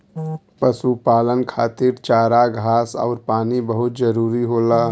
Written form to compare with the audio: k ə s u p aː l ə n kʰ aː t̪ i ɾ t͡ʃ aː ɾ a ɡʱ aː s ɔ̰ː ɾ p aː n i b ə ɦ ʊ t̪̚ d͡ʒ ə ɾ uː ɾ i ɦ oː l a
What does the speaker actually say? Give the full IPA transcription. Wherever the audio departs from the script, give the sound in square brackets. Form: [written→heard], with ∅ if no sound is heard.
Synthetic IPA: [k→p] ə s u p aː l ə n kʰ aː t̪ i ɾ t͡ʃ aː ɾ a ɡʱ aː s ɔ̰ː ɾ p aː n i b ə ɦ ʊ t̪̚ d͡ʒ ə ɾ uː ɾ i ɦ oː l a